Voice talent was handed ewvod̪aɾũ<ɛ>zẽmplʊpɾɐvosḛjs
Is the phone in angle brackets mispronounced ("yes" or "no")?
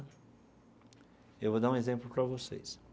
yes